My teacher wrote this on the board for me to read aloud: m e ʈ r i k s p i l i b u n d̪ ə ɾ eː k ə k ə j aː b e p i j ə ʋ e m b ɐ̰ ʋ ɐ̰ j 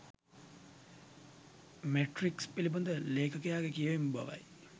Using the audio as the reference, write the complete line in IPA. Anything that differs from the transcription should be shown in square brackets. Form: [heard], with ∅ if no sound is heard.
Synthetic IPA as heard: m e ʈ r i k s p i l i b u n d̪ ə [l] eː k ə k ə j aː [ɡ] e [k] i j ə ʋ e m b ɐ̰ ʋ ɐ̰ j